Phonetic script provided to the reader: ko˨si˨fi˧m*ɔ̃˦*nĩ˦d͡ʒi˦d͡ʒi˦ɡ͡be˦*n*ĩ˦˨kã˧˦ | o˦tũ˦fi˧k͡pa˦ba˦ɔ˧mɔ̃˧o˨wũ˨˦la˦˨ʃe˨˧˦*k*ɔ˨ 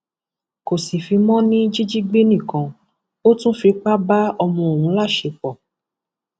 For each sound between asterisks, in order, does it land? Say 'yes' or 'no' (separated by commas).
yes, yes, no